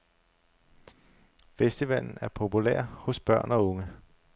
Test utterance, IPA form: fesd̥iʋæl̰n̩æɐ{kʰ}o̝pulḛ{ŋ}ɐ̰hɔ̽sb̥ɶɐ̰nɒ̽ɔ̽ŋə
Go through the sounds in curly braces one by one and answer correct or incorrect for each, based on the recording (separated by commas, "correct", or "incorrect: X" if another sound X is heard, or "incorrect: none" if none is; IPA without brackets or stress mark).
incorrect: pʰ, incorrect: none